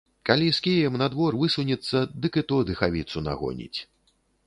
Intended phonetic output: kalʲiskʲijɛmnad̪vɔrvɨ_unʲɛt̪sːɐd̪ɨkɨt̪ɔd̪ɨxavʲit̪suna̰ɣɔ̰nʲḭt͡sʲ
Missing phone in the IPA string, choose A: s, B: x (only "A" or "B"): A